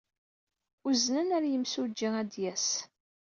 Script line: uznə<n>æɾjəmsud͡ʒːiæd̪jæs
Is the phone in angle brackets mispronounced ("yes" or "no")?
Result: no